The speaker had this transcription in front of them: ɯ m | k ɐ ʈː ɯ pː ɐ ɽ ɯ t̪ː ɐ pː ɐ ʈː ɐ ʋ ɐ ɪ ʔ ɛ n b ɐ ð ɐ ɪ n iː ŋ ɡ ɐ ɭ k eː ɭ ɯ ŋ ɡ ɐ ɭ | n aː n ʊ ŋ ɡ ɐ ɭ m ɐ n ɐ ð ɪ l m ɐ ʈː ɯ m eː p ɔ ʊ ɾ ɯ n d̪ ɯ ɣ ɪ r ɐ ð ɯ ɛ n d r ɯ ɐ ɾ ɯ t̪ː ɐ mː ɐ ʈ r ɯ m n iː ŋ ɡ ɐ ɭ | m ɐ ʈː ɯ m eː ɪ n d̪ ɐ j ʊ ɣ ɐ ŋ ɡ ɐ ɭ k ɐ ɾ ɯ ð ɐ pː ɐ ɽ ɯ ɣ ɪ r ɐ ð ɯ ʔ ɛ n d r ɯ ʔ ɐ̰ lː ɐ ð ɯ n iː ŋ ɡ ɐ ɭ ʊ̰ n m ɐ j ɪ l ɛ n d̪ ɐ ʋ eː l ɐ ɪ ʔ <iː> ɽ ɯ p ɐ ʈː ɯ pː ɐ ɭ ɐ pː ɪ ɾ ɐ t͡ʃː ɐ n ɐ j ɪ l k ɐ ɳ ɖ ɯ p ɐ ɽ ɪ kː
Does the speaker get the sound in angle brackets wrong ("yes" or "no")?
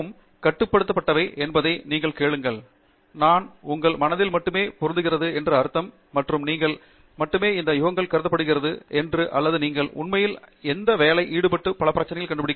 no